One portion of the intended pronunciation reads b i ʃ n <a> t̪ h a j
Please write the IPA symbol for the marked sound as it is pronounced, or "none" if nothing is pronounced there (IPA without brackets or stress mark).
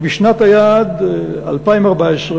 a